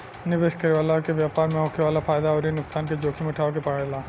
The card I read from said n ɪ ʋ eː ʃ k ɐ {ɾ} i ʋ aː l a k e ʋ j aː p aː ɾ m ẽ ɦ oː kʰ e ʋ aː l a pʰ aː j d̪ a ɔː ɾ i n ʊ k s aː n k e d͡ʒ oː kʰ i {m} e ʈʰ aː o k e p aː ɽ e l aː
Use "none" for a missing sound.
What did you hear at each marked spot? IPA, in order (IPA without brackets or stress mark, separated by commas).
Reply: ɾ, m